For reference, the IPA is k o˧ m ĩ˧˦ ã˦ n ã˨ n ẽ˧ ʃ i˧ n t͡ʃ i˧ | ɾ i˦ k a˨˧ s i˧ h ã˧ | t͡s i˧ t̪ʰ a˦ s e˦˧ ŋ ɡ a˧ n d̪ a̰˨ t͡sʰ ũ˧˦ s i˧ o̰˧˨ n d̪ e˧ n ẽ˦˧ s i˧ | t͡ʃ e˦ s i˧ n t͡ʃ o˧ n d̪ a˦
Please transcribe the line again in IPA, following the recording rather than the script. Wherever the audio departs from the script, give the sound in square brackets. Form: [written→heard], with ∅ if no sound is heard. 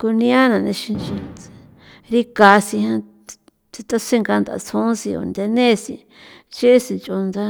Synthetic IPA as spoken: k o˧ [m→n] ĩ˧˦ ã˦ n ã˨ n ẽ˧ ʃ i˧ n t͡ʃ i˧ | ɾ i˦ k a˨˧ s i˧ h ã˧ | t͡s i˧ [t̪ʰ→t̪] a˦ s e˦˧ ŋ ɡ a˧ n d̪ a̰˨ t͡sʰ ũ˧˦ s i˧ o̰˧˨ n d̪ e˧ n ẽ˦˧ s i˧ | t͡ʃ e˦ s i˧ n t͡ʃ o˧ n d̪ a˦